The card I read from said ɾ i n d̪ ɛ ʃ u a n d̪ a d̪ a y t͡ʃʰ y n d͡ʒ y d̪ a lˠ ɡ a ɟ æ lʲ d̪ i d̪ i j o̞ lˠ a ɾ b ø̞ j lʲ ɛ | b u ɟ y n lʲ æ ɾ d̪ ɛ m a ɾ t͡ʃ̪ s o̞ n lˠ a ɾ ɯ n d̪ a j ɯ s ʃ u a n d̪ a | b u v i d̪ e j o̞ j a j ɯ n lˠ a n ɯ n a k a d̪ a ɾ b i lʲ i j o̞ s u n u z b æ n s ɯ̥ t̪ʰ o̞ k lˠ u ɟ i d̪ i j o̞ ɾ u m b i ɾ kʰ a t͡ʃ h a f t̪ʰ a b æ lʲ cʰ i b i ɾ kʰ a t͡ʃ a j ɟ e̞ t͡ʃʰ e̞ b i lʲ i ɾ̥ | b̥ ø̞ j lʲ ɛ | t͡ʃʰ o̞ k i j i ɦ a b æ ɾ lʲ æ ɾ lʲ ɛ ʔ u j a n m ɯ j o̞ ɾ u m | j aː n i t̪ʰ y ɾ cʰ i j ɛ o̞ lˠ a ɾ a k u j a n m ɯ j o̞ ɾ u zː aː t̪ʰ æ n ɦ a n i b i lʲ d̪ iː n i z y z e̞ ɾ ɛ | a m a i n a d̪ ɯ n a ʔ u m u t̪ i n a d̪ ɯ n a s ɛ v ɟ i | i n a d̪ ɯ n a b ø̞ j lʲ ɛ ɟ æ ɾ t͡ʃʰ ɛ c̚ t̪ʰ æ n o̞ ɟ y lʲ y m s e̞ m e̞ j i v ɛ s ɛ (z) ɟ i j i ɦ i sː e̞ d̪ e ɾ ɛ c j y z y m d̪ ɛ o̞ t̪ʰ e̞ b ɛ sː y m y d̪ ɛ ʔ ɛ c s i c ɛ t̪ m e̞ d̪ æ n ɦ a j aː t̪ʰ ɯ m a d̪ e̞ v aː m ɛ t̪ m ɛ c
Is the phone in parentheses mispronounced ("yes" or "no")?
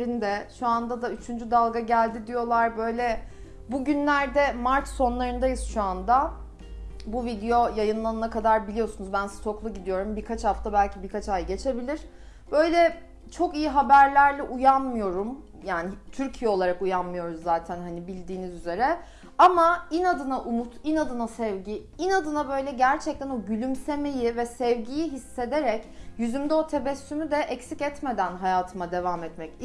yes